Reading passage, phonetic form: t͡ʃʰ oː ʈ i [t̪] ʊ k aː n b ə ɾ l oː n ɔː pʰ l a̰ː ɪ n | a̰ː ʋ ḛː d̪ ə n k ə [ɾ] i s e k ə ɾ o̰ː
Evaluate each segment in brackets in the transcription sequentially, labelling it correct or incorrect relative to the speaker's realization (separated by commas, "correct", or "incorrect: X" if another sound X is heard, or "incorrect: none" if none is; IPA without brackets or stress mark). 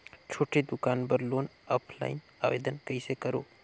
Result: incorrect: d̪, incorrect: none